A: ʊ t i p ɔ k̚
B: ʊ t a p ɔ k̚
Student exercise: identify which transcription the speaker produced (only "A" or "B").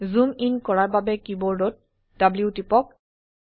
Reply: A